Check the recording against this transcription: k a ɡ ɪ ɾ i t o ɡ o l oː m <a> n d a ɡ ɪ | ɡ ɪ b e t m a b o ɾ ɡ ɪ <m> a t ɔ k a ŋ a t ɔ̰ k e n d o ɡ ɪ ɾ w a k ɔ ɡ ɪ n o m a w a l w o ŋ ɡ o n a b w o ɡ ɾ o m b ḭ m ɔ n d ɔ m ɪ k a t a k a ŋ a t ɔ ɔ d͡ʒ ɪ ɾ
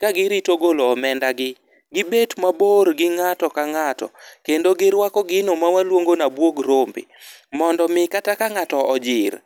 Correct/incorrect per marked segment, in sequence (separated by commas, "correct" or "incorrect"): incorrect, incorrect